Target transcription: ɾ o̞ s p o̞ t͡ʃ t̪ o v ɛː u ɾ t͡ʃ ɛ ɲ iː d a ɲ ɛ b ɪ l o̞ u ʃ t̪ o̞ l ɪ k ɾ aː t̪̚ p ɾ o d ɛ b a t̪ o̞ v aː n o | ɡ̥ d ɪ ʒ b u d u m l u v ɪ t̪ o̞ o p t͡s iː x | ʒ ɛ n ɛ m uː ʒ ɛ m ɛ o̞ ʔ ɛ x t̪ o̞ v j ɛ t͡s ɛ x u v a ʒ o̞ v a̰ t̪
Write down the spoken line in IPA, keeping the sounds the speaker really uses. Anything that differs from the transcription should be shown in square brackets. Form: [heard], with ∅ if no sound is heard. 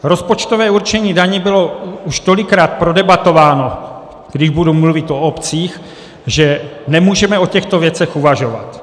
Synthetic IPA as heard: ɾ o̞ s p o̞ t͡ʃ t̪ o v ɛː u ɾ t͡ʃ ɛ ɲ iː d a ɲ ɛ b ɪ l o̞ u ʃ t̪ o̞ l ɪ k ɾ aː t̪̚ p ɾ o d ɛ b a t̪ o̞ v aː n o | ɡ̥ d ɪ ʒ b u d u m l u v ɪ t̪ o̞ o p t͡s iː x | ʒ ɛ n ɛ m uː ʒ ɛ m ɛ o̞ [c] ɛ x t̪ o̞ v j ɛ t͡s ɛ x u v a ʒ o̞ v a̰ t̪